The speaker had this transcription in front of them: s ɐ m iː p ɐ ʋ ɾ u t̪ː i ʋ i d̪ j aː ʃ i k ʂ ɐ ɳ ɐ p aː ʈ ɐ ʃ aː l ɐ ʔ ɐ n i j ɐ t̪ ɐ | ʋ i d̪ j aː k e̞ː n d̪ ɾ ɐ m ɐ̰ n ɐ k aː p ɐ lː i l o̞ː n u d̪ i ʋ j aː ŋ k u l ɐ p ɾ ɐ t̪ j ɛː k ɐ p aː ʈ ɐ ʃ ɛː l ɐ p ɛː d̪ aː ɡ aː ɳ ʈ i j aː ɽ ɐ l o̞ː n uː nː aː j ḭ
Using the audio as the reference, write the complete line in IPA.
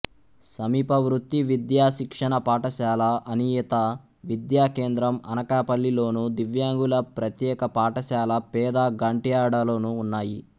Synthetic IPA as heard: s ɐ m iː p ɐ ʋ ɾ u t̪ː i ʋ i d̪ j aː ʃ i k ʂ ɐ ɳ ɐ p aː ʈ ɐ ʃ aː l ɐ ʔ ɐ n i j ɐ t̪ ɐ | ʋ i d̪ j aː k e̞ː n d̪ ɾ ɐ m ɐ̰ n ɐ k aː p ɐ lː i l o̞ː n u d̪ i ʋ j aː ŋ ɡ u l ɐ p ɾ ɐ t̪ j ɛː k ɐ p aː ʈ ɐ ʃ aː l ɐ p ɛː d̪ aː ɡ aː ɳ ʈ i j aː ɽ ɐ l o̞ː n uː nː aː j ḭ